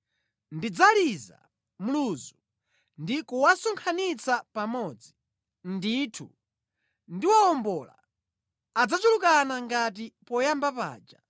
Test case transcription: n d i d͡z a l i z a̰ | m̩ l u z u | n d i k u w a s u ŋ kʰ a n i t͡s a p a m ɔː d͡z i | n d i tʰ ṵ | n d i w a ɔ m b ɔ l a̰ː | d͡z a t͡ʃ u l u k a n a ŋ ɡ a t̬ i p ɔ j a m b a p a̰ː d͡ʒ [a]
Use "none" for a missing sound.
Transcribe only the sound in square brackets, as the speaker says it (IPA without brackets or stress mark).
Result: a